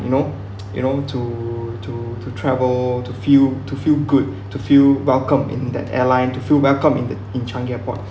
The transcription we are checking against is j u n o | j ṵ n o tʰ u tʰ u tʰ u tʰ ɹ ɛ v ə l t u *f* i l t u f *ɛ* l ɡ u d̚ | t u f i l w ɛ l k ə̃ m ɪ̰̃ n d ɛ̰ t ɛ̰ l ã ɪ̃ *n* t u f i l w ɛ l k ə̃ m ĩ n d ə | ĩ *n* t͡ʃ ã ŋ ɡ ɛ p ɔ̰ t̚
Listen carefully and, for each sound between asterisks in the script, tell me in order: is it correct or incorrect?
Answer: correct, incorrect: i, correct, correct

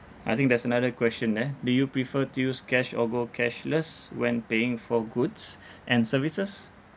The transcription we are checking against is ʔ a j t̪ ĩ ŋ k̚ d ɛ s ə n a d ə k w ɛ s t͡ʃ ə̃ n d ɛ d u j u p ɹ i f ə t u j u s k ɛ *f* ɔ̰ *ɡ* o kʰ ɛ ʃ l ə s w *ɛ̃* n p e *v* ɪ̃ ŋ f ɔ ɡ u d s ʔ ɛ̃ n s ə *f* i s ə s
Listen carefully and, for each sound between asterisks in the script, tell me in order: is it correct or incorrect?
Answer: incorrect: ʃ, correct, correct, incorrect: none, incorrect: v

